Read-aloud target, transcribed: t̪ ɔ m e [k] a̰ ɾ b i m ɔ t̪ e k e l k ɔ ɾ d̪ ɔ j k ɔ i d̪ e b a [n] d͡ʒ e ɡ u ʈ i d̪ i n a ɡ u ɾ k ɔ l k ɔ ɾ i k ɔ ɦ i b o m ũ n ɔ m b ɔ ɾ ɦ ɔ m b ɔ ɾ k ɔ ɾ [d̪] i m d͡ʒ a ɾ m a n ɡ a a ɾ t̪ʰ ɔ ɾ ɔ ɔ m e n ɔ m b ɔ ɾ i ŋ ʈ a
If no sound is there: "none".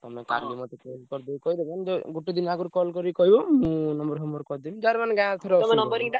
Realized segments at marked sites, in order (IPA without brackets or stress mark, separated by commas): k, n, d̪